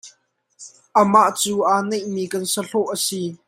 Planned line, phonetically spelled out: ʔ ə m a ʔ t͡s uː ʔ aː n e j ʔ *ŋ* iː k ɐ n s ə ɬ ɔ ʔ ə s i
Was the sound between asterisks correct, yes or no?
no